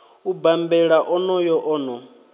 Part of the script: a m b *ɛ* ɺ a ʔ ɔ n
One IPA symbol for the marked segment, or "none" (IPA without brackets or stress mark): ɛ